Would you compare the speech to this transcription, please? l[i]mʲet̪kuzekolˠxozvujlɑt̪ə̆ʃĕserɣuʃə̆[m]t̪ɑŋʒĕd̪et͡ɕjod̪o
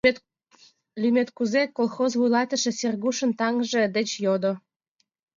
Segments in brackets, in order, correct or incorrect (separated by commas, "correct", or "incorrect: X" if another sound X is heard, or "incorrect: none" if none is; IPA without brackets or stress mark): incorrect: y, incorrect: n